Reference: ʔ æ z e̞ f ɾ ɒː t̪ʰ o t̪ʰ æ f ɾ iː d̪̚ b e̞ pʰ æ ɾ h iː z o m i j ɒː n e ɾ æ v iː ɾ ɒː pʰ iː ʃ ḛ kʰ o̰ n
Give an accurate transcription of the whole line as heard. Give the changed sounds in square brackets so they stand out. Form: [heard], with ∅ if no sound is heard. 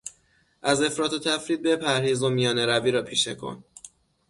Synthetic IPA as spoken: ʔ æ z e̞ f ɾ ɒː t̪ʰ o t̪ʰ æ f ɾ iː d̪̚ b e̞ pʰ æ ɾ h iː z o m i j ɒː n e ɾ æ v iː ɾ ɒː pʰ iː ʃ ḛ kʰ o̰ n